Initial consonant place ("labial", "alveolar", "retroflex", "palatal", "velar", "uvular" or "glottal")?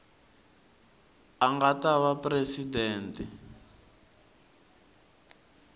velar